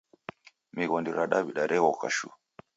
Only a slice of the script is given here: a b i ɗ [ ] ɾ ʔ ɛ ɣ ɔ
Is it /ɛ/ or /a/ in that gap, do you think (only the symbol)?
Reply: a